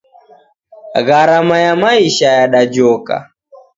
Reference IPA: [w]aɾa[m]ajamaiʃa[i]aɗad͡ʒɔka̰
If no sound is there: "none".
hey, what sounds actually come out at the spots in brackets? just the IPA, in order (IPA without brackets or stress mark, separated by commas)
ɣ, m, j